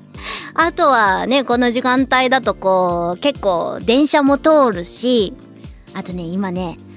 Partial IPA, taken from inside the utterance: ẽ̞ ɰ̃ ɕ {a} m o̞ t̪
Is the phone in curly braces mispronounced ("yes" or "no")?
no